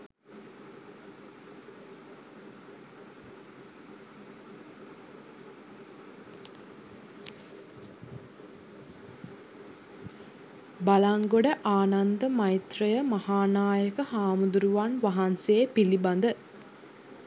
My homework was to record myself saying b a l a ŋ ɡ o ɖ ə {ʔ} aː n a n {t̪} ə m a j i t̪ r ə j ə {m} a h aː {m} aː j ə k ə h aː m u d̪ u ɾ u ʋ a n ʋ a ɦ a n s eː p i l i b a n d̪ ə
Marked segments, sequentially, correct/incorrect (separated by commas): correct, incorrect, correct, incorrect